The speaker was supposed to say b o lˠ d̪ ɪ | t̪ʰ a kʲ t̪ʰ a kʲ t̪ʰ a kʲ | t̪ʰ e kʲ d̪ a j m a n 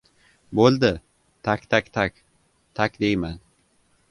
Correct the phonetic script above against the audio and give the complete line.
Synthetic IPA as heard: b o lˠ d̪ ɪ | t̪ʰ a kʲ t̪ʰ a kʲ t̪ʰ a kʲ | t̪ʰ a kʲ d̪ e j m a n